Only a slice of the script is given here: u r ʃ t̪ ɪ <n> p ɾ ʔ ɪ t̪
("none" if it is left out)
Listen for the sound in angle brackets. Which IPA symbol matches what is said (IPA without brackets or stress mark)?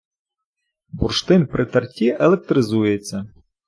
n